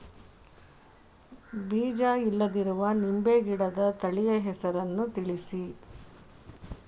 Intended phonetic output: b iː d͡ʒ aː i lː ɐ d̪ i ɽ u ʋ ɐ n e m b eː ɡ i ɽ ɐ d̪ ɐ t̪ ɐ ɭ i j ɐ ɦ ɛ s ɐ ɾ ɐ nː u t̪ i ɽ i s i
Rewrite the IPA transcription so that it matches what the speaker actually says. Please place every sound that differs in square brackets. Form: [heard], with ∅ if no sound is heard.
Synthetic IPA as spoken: b iː d͡ʒ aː i lː ɐ d̪ i [ɾ] u ʋ ɐ n [i] m b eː ɡ i ɽ ɐ d̪ ɐ t̪ ɐ ɭ i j ɐ ɦ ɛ s ɐ ɾ ɐ nː u t̪ i [ɭ] i s i